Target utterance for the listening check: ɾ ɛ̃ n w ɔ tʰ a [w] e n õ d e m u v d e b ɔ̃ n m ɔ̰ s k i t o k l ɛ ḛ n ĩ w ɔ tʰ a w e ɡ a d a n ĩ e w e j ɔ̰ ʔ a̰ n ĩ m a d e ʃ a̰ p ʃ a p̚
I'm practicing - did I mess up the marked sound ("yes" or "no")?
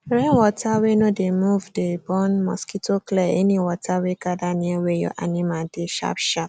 no